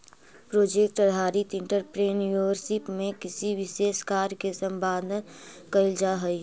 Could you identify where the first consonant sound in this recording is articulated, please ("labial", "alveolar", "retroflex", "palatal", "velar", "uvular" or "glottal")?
labial